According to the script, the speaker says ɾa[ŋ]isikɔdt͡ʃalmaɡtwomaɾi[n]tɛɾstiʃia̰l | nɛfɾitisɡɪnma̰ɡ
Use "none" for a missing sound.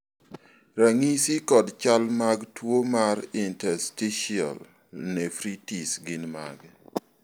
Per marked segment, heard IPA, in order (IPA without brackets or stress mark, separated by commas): ŋ, n